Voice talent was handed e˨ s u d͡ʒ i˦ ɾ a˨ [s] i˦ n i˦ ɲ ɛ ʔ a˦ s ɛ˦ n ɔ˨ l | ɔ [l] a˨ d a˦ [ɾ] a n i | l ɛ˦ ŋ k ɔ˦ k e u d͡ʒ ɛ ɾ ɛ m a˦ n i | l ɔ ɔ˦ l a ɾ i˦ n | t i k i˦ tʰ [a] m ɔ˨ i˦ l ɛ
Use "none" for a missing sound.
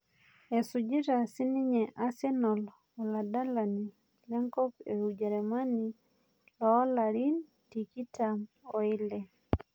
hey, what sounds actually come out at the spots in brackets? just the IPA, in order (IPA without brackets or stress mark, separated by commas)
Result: s, l, l, a